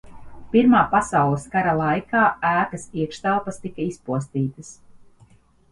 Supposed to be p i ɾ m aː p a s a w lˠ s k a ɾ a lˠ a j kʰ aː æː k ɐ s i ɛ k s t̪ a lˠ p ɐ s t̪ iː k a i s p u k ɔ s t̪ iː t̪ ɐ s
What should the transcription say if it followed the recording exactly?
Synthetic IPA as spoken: p i ɾ m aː p a s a w lˠ s k a ɾ a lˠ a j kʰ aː æː k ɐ s i ɛ k ʃ t̪ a lˠ p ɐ s t̪ i k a i s p u ɔ s t̪ iː t̪ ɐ s